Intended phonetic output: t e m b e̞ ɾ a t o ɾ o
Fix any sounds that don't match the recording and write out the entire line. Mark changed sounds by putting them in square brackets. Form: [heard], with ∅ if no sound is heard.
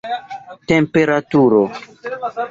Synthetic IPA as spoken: t e m [p] e̞ ɾ a t [u] ɾ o